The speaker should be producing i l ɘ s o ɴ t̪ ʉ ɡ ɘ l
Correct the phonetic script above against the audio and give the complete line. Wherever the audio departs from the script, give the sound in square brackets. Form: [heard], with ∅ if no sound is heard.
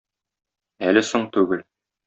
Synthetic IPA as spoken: [æ] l ɘ s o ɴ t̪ ʉ ɡ ɘ l